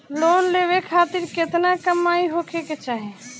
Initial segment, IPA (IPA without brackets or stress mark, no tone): l